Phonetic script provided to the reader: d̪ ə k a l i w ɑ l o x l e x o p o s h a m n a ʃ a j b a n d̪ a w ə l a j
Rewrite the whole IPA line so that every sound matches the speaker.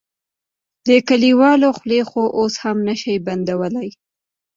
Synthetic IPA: d̪ ə k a l i w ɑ l o x l e x o ʔ o s h a m n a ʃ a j b a n d̪ a w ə l a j